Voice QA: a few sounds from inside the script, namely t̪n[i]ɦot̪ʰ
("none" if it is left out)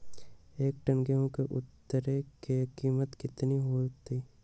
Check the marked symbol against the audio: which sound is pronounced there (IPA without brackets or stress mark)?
i